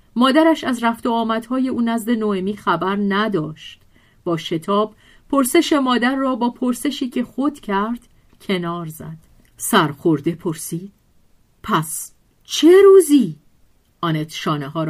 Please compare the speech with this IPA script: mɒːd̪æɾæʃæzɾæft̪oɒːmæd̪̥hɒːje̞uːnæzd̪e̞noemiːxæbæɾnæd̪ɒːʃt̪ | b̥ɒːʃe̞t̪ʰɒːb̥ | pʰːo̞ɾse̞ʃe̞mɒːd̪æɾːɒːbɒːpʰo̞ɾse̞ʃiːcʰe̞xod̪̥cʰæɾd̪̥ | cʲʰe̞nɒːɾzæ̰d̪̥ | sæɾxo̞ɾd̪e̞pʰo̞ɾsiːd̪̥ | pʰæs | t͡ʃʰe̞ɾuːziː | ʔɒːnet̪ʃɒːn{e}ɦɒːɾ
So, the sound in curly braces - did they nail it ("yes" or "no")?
yes